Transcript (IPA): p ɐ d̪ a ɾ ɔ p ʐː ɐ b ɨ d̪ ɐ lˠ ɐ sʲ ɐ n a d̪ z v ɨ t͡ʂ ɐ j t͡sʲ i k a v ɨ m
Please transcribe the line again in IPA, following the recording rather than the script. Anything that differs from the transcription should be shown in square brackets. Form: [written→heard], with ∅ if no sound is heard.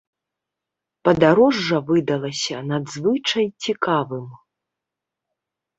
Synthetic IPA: p ɐ d̪ a ɾ ɔ [p→∅] ʐː ɐ [b→v] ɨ d̪ ɐ lˠ ɐ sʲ ɐ n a d̪ z v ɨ t͡ʂ ɐ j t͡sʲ i k a v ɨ m